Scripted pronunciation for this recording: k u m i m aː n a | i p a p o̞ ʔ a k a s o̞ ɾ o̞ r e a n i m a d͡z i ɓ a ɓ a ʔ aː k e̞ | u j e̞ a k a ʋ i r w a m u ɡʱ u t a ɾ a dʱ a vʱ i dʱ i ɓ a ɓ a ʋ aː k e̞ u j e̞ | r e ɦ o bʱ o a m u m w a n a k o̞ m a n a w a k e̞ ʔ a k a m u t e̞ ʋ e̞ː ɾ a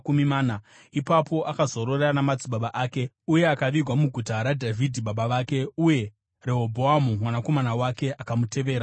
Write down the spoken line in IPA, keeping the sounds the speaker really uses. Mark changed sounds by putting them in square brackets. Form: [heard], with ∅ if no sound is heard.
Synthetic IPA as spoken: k u m i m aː n a | i p a p o̞ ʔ a k a [z] o̞ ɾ o̞ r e a n [a] m a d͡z i ɓ a ɓ a ʔ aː k e̞ | u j e̞ a k a ʋ i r w a m u ɡʱ u t a ɾ a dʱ a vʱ i dʱ i ɓ a ɓ a ʋ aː k e̞ u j e̞ | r e ɦ o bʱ o a m u m w a n a k o̞ m a n a w a k e̞ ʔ a k a m u t e̞ ʋ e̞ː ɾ a